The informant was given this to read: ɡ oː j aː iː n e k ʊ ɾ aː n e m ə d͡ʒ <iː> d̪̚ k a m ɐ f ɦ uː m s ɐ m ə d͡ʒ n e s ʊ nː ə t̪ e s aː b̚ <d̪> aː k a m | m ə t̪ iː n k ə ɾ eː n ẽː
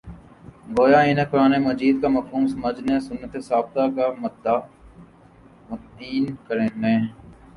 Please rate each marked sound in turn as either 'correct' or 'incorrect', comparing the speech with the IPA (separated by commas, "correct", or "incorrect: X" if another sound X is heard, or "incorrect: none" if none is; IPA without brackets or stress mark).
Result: correct, incorrect: t̪